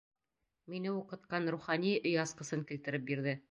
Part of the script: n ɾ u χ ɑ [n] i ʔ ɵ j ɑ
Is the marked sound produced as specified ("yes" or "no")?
yes